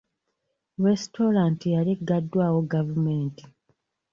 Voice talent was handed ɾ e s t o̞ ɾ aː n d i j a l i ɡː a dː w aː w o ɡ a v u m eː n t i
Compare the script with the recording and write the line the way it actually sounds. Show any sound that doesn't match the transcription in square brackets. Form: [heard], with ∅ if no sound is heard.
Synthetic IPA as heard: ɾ e s t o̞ ɾ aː n [t] i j a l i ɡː a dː w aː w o ɡ a v u m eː n t i